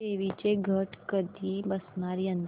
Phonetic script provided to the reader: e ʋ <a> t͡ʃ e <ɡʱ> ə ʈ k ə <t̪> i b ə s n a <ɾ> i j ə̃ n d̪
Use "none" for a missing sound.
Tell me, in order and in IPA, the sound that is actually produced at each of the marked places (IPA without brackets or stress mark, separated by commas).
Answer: i, ɡʱ, d̪, ɾ